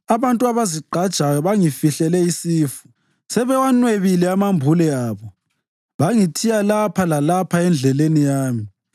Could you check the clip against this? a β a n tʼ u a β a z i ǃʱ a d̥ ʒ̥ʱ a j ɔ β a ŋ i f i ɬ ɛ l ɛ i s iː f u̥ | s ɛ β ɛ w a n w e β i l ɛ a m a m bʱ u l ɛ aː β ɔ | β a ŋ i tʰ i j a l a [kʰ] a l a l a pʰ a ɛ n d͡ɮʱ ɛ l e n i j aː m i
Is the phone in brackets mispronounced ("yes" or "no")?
yes